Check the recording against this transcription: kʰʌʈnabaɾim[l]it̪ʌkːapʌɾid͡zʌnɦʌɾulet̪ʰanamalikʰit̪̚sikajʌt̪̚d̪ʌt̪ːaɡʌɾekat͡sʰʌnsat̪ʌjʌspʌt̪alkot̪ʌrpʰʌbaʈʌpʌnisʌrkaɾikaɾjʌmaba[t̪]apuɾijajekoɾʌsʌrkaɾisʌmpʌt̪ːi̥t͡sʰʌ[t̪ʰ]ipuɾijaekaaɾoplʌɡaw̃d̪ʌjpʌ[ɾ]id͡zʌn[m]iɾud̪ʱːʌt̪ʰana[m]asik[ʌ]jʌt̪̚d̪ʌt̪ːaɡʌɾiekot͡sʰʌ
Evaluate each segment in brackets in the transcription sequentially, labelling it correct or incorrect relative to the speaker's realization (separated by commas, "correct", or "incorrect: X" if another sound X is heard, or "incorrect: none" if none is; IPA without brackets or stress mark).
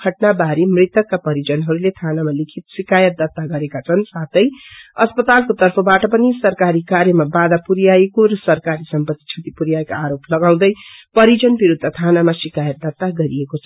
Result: incorrect: r, incorrect: d̪, incorrect: t̪, correct, incorrect: b, correct, incorrect: a